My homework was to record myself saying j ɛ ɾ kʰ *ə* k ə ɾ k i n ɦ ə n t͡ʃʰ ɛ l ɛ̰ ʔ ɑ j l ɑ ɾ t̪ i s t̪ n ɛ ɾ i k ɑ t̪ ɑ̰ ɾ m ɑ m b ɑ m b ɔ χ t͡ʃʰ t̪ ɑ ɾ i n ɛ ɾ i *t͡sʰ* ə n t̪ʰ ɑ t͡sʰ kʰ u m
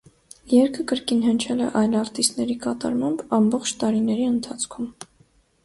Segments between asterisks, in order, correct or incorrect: correct, incorrect

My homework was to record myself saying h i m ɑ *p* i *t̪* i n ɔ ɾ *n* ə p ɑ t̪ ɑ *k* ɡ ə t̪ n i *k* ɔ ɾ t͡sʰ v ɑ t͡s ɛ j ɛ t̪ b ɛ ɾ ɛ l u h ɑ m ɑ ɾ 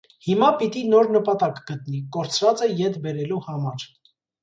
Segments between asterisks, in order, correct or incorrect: correct, correct, correct, correct, correct

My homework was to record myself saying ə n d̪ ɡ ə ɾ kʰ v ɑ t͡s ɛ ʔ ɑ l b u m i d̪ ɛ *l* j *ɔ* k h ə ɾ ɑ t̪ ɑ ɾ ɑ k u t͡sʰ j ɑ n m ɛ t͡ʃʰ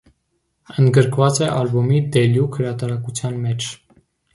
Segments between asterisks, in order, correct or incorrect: correct, incorrect

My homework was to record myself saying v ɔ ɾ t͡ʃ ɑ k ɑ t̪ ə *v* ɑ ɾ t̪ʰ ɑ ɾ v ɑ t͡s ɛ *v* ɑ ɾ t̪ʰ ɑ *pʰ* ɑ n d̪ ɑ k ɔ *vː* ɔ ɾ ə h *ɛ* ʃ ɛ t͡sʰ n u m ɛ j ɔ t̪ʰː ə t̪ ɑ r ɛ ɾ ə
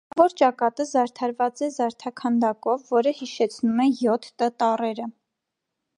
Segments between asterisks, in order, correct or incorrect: incorrect, incorrect, incorrect, correct, incorrect

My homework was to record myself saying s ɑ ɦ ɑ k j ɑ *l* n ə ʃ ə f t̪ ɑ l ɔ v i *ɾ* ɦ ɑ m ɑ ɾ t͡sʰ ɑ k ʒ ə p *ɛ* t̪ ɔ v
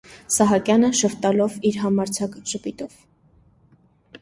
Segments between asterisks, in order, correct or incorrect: incorrect, correct, incorrect

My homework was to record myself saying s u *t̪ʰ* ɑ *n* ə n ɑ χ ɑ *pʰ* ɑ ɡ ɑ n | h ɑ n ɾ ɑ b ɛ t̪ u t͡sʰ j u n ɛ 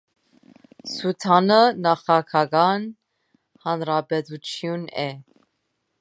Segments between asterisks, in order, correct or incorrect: correct, correct, incorrect

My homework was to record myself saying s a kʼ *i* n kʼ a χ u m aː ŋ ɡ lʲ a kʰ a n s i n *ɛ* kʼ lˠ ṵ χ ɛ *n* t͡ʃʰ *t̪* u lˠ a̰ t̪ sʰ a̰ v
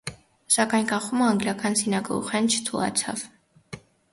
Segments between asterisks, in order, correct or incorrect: incorrect, incorrect, correct, incorrect

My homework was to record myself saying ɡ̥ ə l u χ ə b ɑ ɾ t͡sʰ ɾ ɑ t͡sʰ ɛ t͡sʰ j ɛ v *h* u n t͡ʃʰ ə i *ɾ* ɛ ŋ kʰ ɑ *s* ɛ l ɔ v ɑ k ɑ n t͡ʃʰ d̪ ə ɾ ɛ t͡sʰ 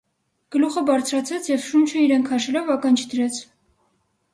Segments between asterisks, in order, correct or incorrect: incorrect, correct, incorrect

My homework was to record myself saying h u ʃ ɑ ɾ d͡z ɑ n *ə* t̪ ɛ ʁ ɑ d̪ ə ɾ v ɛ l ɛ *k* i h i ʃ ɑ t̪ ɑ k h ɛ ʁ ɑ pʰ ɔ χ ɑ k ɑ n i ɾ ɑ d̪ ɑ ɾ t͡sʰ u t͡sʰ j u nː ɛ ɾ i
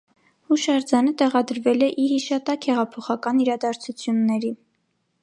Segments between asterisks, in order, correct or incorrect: correct, incorrect

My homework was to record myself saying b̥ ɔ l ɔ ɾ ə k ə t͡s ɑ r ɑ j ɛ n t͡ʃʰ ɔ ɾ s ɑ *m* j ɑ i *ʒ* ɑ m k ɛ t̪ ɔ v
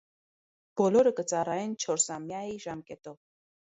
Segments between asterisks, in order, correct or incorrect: correct, correct

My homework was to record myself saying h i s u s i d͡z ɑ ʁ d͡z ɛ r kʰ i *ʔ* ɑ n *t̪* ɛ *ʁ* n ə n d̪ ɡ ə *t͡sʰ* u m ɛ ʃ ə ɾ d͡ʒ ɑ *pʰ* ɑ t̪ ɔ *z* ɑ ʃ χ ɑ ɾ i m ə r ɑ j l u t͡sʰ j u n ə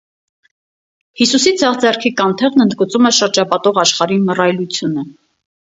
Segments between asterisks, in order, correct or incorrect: incorrect, incorrect, correct, incorrect, incorrect, incorrect

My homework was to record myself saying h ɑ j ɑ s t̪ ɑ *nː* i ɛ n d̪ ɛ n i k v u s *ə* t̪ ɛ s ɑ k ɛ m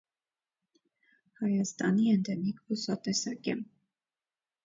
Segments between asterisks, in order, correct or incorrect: incorrect, incorrect

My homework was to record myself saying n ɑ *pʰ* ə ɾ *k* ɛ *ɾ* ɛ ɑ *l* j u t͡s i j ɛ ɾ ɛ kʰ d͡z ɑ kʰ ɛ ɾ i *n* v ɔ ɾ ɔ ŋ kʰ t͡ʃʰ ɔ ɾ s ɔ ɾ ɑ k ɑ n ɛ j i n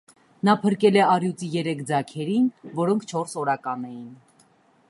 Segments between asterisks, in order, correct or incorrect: correct, correct, incorrect, incorrect, correct

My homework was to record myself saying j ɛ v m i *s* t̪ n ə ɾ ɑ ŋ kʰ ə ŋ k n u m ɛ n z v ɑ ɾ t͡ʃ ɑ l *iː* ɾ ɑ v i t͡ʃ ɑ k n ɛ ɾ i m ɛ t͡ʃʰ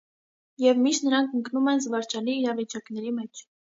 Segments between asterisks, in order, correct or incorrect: incorrect, correct

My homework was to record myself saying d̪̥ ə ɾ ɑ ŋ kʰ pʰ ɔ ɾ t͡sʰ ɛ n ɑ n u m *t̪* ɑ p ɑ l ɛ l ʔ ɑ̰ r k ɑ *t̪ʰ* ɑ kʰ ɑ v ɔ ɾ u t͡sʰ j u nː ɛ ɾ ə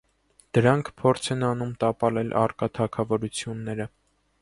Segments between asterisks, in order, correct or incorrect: correct, correct

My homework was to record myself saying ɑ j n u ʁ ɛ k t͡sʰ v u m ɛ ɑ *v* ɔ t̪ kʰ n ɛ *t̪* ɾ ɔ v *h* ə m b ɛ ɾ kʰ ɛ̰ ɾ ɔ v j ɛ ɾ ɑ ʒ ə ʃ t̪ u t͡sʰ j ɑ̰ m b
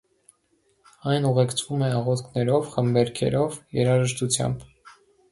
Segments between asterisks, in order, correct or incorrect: incorrect, incorrect, incorrect

